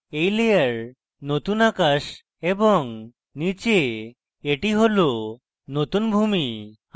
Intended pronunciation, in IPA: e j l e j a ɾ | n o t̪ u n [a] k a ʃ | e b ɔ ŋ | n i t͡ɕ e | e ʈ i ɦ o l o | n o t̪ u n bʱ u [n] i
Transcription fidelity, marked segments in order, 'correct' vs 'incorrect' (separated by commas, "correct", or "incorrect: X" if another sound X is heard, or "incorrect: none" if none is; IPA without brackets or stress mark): correct, incorrect: m